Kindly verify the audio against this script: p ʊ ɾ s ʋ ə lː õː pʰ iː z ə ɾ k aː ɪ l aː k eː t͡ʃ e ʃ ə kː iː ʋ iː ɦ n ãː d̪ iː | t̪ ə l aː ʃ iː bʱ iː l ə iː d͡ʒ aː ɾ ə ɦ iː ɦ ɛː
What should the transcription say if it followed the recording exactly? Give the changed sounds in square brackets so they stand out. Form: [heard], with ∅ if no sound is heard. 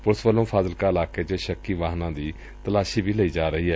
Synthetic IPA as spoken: p ʊ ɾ s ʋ ə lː õː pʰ [aː] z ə [l] k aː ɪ l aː k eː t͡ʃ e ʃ ə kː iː ʋ [aː] ɦ n ãː d̪ iː | t̪ ə l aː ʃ iː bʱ iː l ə iː d͡ʒ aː ɾ ə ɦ iː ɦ ɛː